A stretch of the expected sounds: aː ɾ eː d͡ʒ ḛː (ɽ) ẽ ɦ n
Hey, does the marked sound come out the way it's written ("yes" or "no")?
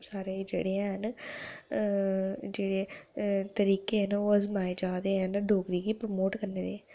yes